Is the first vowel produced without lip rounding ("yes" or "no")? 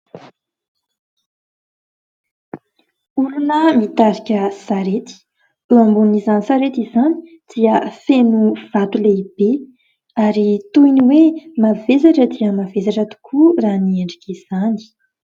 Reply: no